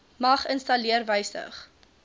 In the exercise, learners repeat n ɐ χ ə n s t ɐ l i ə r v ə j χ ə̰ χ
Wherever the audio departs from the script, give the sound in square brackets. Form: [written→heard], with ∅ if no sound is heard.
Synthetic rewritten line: [n→m] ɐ χ ə n s t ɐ l i ə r v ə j [χ→s] ə̰ χ